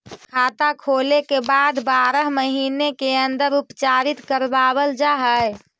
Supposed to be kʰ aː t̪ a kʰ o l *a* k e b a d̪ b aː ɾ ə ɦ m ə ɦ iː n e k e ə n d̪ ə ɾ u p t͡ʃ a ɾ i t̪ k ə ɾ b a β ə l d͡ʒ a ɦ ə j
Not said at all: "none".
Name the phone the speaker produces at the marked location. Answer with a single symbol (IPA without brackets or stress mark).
e